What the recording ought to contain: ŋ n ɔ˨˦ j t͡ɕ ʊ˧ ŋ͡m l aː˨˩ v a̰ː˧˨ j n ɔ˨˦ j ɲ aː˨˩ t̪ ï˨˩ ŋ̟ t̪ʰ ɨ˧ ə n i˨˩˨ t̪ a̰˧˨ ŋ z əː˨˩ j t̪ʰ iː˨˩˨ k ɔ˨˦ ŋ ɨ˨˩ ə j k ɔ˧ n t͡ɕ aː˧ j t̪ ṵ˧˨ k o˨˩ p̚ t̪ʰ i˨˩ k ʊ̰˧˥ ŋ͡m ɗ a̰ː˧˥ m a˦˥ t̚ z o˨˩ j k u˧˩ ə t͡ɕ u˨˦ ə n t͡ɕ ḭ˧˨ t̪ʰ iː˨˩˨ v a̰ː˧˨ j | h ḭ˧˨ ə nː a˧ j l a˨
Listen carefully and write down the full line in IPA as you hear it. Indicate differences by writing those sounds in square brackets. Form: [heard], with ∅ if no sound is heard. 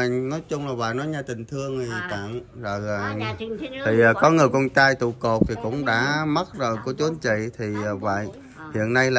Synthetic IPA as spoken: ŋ n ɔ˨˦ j t͡ɕ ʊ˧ ŋ͡m l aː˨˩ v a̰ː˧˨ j n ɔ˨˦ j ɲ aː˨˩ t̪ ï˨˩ ŋ̟ t̪ʰ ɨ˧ ə [ŋ] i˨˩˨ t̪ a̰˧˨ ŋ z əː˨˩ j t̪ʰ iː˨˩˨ k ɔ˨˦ ŋ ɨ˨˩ ə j k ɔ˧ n t͡ɕ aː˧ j t̪ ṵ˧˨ k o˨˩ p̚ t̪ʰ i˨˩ k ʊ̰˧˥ ŋ͡m ɗ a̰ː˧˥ m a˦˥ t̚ z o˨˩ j k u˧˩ ə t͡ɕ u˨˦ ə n t͡ɕ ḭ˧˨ t̪ʰ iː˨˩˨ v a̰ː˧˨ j | h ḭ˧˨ ə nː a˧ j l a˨